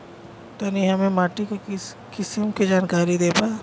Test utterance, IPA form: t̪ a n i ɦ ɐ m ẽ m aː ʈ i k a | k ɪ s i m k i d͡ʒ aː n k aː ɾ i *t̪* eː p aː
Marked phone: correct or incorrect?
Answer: incorrect: d̪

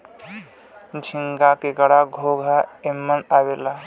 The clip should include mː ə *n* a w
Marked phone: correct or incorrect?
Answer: correct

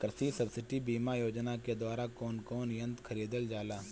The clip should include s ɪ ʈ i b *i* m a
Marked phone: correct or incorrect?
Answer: incorrect: iː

